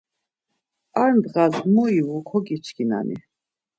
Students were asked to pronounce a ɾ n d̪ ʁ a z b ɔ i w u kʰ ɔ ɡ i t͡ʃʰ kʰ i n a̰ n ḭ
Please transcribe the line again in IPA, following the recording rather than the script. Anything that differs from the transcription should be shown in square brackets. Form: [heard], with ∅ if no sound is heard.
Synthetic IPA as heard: a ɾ n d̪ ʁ a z [m] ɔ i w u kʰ ɔ ɡ i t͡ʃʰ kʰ i n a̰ n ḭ